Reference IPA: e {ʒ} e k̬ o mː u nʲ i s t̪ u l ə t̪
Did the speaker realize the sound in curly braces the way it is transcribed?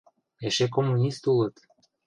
no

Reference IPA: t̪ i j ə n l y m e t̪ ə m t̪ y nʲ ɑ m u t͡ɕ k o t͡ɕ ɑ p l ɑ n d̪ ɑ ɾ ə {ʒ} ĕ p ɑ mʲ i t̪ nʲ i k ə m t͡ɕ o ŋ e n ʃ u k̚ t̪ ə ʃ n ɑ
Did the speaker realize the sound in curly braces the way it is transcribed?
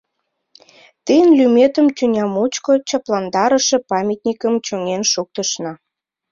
no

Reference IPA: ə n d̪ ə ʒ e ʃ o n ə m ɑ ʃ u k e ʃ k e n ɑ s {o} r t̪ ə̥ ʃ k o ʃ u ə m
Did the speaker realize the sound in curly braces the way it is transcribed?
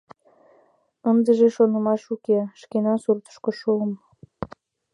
no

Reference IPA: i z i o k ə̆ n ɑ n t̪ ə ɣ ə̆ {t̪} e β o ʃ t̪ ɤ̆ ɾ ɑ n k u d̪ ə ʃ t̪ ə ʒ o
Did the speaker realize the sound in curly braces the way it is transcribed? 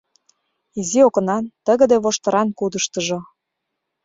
no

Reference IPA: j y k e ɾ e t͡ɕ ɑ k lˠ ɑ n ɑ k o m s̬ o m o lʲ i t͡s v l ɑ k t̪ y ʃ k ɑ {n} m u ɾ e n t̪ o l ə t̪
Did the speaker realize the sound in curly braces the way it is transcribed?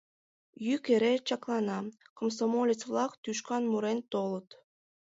yes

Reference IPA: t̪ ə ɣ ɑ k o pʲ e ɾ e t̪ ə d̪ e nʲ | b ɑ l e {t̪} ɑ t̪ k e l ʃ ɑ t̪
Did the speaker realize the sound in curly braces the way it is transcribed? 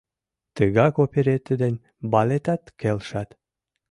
yes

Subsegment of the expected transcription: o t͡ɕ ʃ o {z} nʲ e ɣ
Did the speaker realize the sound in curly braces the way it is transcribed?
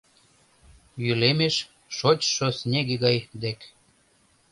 no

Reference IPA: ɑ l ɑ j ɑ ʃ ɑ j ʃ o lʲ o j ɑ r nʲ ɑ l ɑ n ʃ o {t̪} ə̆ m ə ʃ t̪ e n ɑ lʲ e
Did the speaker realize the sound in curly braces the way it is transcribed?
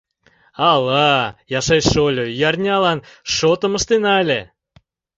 yes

